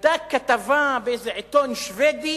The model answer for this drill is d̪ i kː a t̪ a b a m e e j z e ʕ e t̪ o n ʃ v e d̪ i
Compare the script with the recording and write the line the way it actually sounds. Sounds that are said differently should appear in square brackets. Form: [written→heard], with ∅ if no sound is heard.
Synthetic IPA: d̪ [i→a] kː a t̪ a [b→v] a [m→b] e e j z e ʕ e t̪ o n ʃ v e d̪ i